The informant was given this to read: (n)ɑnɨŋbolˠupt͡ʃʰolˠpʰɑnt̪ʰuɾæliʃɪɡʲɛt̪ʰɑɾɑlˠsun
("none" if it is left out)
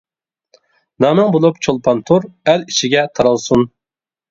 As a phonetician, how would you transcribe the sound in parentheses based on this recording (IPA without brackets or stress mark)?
n